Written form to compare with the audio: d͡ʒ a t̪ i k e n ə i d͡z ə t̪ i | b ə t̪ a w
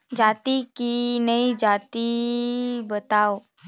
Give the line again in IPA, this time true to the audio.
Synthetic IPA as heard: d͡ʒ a t̪ i k i n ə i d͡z a t̪ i | b ə t̪ a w